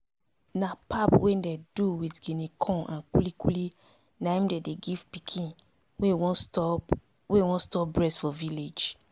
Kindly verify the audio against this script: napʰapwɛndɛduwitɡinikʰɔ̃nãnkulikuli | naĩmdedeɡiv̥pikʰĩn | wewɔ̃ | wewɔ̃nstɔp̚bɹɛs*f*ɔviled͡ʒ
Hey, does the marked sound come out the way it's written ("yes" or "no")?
yes